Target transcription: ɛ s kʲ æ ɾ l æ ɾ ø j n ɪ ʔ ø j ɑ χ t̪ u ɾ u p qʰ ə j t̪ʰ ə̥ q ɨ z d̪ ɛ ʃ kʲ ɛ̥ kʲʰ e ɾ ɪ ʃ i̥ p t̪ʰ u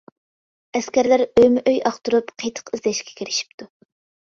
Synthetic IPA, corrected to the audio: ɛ s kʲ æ ɾ l æ ɾ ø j m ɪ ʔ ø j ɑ χ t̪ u ɾ u p qʰ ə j t̪ʰ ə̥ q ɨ z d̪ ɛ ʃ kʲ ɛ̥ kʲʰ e ɾ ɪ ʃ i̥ p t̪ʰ u